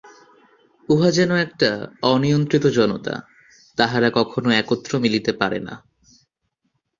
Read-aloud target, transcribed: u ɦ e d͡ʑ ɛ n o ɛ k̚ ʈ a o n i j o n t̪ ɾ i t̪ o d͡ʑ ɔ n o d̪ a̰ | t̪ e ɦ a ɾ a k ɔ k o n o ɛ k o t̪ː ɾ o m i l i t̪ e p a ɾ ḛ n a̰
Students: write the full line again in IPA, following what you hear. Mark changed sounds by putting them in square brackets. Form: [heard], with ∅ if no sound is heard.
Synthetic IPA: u ɦ [a] d͡ʑ ɛ n o ɛ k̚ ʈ a [ɔ] n i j o n t̪ ɾ i t̪ o d͡ʑ ɔ n o [t̪] a̰ | t̪ [a] ɦ a ɾ a k ɔ [kʰ] o n o ɛ k o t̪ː ɾ o m i l i t̪ e p a ɾ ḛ n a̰